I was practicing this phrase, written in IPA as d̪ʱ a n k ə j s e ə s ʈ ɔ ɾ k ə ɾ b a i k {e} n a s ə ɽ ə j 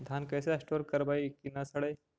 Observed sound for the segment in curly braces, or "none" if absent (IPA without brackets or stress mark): i